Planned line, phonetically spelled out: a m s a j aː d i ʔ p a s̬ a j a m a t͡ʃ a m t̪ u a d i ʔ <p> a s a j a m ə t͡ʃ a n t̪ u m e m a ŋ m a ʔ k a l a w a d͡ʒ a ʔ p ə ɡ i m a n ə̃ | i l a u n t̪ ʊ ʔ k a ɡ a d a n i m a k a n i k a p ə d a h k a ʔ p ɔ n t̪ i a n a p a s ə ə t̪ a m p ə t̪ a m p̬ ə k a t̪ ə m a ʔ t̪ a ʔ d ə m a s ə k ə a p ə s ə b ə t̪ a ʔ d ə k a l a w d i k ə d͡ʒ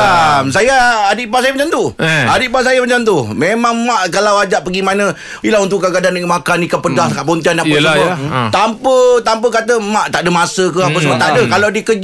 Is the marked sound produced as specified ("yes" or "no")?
yes